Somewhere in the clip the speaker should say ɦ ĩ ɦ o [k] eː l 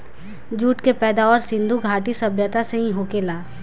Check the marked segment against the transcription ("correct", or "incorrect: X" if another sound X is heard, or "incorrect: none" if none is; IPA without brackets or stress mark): correct